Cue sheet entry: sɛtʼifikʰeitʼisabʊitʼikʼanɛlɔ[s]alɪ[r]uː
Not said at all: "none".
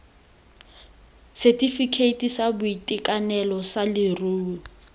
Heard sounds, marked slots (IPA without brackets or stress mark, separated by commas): s, r